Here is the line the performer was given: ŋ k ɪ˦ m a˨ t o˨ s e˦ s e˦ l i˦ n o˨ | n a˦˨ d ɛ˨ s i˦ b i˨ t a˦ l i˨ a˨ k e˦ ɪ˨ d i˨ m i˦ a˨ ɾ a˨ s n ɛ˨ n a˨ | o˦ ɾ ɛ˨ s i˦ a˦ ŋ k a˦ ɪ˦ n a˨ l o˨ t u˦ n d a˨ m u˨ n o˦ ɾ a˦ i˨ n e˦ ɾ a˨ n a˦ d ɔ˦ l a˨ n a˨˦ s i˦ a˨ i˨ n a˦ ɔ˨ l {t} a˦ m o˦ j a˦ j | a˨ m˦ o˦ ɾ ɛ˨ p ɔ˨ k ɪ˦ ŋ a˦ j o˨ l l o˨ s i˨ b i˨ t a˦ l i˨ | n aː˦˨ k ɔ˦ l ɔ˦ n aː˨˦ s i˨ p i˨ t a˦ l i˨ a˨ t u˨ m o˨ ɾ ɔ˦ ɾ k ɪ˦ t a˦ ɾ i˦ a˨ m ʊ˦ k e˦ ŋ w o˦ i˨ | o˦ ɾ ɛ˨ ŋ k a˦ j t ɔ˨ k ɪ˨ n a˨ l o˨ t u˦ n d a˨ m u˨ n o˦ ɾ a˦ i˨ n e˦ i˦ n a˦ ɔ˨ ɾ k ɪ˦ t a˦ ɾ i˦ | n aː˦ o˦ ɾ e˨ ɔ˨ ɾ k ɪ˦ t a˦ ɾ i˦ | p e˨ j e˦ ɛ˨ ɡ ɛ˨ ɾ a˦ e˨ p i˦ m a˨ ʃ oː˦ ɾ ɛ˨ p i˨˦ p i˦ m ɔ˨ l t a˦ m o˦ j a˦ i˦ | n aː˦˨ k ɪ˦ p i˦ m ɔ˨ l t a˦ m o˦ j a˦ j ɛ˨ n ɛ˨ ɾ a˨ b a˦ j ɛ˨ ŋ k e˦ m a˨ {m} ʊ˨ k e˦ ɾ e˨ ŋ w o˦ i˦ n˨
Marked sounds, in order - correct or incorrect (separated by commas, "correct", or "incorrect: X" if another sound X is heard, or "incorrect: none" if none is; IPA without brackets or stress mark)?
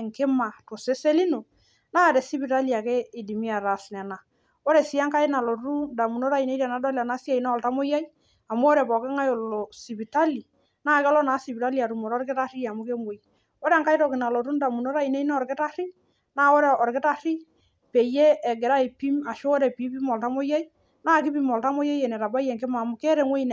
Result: correct, correct